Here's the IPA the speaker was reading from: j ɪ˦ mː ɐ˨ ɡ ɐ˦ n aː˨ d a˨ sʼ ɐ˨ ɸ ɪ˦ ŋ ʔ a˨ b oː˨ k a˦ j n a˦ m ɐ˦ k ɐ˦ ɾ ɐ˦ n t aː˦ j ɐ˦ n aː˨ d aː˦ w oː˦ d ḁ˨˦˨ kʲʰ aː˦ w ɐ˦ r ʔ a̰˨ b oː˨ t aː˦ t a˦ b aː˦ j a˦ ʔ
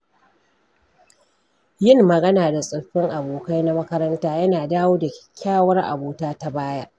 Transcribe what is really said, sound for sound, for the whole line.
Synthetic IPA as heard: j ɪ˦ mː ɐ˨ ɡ ɐ˦ n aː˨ d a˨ sʼ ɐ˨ ɸ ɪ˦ ŋ ʔ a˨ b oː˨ k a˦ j n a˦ m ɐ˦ k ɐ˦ ɾ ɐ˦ n t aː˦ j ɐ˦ n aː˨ d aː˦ w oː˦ d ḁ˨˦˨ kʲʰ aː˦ w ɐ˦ r ʔ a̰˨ b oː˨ t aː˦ t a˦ b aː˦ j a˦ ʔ